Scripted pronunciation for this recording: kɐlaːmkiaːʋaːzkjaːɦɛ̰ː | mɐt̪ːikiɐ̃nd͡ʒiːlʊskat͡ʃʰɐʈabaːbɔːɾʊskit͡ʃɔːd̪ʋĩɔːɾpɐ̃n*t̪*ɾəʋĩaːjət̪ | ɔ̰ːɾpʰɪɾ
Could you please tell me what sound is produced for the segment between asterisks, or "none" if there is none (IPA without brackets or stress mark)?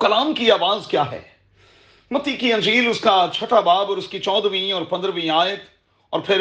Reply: d̪